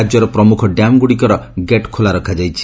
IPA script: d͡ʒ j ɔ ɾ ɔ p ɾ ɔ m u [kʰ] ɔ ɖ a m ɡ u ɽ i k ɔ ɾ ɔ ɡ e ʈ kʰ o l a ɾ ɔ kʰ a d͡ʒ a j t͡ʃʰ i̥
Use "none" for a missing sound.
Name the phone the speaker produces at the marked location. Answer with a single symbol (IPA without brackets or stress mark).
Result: kʰ